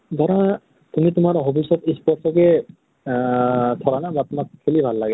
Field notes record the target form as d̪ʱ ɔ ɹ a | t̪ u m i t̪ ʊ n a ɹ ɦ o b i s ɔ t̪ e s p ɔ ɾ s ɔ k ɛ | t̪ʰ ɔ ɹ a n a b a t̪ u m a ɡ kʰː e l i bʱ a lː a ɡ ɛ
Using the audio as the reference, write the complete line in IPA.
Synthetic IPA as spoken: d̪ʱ ɔ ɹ a | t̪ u m i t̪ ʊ m a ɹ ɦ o b i s ɔ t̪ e s p ɔ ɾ s ɔ k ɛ | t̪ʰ ɔ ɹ a n a b a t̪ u m a k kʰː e l i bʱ a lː a ɡ ɛ

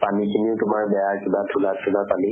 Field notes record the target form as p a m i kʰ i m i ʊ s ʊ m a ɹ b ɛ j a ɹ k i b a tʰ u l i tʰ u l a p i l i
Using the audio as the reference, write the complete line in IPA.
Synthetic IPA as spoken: p a n i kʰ i n i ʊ t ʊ m a ɹ b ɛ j a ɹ k i b a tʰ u l a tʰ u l a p a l i

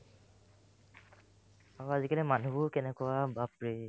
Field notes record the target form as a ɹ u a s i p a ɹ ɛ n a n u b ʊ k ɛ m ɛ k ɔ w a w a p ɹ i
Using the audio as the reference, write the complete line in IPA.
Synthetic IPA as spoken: a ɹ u a z i k a l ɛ m a n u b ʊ k ɛ n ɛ k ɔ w a b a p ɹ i

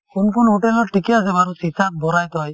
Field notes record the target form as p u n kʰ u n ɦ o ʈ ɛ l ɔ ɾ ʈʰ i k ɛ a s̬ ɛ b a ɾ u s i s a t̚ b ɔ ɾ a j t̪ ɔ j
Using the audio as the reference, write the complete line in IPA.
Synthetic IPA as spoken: k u n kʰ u n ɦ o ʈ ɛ l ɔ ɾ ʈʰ i k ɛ a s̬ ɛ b a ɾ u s i s a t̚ b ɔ ɾ a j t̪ ɔ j

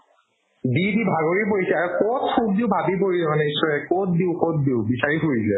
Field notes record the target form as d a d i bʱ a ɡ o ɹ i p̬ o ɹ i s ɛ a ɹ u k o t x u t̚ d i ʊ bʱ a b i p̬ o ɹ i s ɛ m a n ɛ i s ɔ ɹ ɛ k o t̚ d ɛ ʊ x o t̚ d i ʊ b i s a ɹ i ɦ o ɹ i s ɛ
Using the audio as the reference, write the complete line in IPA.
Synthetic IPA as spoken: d i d i bʱ a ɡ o ɹ i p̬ o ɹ i s ɛ a ɹ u k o t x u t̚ d i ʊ bʱ a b i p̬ o ɹ i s ɛ m a n ɛ i s ɔ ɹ ɛ k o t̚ d i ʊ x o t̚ d i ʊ b i s a ɹ i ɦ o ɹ i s ɛ

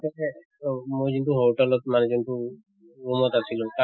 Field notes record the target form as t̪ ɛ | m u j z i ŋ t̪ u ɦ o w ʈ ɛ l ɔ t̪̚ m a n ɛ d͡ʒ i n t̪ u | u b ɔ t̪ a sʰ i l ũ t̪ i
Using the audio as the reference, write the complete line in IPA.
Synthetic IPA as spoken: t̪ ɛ | m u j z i n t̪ u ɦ o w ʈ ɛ l ɔ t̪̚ m a n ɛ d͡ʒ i n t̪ u | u m ɔ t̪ a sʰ i l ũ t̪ a

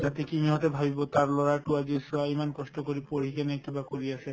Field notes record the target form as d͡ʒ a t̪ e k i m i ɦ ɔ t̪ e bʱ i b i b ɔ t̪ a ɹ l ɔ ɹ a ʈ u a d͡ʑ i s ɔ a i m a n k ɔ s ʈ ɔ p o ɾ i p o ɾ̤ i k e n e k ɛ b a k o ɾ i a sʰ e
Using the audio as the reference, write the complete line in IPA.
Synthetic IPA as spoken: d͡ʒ a t̪ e k i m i ɦ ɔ t̪ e bʱ a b i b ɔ t̪ a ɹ l ɔ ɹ a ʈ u a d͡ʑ i s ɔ a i m a n k ɔ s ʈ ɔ k o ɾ i p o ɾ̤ i k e n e k i b a k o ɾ i a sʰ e

